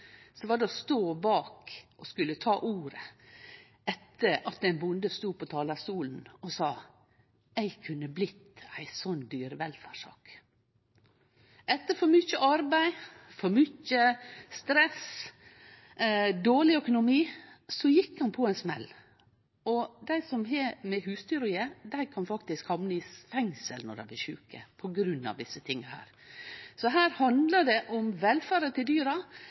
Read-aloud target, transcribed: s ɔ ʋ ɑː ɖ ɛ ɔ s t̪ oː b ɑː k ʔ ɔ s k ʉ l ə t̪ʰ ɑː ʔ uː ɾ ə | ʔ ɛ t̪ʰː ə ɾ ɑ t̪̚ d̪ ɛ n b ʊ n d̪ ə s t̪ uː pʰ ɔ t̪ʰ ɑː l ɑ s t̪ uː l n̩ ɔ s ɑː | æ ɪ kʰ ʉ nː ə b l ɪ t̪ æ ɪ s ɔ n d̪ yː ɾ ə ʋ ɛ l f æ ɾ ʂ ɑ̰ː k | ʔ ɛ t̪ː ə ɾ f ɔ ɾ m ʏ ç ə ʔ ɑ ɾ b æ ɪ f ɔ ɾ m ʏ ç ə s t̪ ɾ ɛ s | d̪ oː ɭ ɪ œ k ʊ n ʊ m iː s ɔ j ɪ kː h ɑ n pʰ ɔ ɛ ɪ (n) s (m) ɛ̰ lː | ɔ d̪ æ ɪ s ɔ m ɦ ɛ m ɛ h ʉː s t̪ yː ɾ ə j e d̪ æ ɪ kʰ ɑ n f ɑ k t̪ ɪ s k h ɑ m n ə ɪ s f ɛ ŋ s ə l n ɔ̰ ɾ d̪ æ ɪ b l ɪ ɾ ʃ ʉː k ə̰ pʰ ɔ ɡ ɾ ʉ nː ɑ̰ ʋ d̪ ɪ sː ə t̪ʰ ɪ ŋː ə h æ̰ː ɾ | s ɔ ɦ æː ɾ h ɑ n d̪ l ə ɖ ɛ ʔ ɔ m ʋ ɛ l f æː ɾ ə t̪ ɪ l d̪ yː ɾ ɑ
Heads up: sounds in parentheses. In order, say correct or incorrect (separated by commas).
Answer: correct, correct